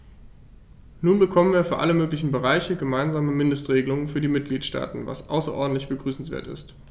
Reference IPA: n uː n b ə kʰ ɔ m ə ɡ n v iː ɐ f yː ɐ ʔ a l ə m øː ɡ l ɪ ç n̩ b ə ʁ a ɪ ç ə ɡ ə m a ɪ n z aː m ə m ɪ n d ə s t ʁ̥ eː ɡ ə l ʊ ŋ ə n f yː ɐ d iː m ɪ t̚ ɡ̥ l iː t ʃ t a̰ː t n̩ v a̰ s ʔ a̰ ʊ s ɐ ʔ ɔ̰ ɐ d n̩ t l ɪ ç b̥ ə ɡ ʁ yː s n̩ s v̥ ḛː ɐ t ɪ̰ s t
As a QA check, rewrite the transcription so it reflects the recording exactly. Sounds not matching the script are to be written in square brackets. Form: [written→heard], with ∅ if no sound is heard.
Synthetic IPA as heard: n uː n b ə kʰ ɔ m ə [ɡ→∅] n v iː ɐ f yː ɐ ʔ a l ə m øː [ɡ→k] l ɪ ç n̩ b ə ʁ a ɪ ç ə ɡ ə m a ɪ n z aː m ə m ɪ n d ə s t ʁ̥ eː ɡ ə l ʊ ŋ ə n f yː ɐ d iː m ɪ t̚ ɡ̥ l iː t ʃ t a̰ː t n̩ v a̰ s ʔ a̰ ʊ s ɐ ʔ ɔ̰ ɐ d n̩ t l ɪ ç b̥ ə ɡ ʁ yː s n̩ s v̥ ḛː ɐ t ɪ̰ s t